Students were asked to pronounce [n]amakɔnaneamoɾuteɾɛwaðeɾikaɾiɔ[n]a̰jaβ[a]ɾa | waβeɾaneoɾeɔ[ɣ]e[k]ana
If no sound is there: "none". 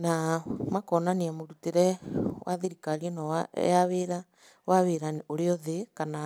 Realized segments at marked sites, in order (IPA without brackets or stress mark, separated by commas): n, n, e, ð, k